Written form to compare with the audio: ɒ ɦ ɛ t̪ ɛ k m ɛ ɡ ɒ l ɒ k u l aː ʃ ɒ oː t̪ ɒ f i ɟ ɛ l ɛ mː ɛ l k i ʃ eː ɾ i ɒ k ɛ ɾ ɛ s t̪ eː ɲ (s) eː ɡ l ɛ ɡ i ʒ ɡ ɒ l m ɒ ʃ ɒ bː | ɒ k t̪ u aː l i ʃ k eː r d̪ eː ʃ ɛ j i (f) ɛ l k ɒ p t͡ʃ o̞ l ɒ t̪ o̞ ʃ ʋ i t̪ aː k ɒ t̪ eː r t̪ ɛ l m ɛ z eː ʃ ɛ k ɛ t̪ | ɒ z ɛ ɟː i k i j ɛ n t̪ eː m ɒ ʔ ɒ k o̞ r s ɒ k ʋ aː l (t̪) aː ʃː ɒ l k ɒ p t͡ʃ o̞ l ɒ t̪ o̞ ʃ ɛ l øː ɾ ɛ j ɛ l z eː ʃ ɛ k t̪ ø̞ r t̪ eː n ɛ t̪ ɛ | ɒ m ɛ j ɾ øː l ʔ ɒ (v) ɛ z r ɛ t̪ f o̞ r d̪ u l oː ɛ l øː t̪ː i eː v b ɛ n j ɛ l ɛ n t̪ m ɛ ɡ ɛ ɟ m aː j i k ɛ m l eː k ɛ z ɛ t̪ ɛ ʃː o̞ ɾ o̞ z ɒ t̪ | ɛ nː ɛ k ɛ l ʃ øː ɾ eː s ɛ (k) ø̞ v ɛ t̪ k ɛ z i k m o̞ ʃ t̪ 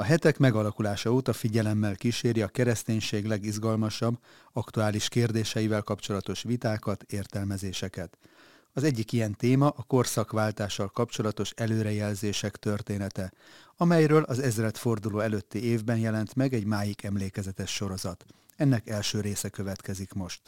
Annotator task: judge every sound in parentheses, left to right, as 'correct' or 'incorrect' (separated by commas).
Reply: incorrect, incorrect, correct, incorrect, correct